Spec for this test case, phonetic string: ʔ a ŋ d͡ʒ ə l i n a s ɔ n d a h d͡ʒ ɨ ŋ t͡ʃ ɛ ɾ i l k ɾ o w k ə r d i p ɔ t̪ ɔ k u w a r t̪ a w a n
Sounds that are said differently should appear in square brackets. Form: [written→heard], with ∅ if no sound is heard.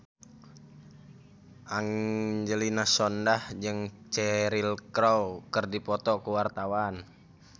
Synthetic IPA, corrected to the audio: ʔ a ŋ d͡ʒ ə l i n a s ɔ n d a h d͡ʒ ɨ ŋ t͡ʃ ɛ ɾ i l k ɾ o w k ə r d i p ɔ t̪ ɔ k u w a r t̪ a w a n